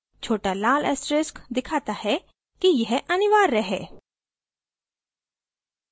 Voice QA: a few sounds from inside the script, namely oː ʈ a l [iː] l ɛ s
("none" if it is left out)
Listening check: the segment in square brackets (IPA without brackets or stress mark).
aː